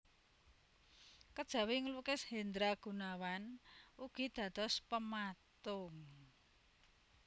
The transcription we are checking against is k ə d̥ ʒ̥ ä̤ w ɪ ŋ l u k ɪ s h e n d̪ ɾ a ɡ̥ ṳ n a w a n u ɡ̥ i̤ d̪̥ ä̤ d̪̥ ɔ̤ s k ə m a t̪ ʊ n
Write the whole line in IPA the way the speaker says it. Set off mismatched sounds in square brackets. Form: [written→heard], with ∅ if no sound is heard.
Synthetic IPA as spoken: k ə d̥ ʒ̥ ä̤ w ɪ ŋ l u k ɪ s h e n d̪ ɾ a ɡ̥ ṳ n a w a n u ɡ̥ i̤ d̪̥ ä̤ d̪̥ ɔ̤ s [k→p] ə m a t̪ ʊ [n→ŋ]